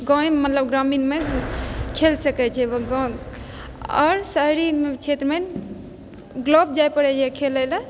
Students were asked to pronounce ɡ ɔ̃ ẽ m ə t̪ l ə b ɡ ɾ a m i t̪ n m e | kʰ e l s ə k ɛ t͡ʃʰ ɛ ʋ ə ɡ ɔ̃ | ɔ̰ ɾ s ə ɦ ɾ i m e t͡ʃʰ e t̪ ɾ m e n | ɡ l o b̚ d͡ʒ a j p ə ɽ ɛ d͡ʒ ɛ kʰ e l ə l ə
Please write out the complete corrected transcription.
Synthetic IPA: ɡ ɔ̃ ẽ m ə t̪ l ə b ɡ ɾ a m i n m e | kʰ e l s ə k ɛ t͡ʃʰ ɛ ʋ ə ɡ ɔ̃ | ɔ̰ ɾ s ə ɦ ɾ i m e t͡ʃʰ e t̪ ɾ m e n | ɡ l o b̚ d͡ʒ a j p ə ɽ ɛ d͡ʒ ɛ kʰ e l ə l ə